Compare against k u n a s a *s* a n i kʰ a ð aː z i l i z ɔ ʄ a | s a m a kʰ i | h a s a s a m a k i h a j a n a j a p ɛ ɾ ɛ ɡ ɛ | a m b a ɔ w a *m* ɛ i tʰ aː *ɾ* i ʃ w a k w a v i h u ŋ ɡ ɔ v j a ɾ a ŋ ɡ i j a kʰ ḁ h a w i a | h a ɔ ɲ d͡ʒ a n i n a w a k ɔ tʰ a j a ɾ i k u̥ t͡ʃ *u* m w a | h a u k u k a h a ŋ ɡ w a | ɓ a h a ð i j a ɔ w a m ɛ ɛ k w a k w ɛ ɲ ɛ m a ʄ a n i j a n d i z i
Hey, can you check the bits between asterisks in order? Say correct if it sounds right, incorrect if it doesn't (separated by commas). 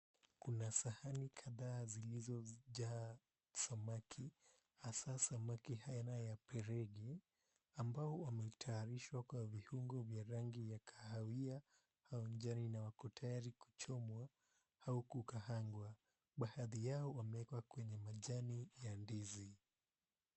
incorrect, correct, correct, incorrect